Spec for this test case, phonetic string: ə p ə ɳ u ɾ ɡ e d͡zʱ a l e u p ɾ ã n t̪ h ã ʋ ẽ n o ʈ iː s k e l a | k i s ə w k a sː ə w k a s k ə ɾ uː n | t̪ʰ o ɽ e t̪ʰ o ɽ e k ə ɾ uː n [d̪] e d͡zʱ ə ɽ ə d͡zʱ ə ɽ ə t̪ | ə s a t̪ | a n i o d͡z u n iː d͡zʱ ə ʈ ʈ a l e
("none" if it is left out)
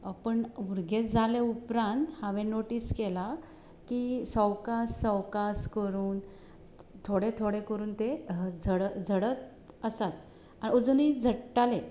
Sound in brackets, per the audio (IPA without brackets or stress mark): t̪